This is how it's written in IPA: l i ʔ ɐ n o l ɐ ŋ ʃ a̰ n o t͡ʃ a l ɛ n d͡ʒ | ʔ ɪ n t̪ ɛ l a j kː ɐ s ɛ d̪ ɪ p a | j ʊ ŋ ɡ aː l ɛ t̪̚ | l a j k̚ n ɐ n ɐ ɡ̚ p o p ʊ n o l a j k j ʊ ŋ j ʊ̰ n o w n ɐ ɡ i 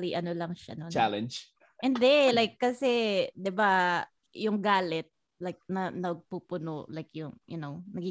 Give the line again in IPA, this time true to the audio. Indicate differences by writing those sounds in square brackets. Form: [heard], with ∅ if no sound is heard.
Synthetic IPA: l i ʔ ɐ n o l ɐ ŋ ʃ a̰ n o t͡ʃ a l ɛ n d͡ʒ | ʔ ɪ n [d̪] ɛ l a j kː ɐ s ɛ d̪ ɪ [b] a | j ʊ ŋ ɡ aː l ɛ t̪̚ | l a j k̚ n ɐ n ɐ ɡ̚ p [u] p ʊ n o l a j k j ʊ ŋ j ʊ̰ n o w n ɐ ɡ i